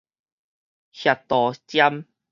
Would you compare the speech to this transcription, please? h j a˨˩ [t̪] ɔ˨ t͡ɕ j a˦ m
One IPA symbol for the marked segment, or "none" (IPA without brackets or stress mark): t̪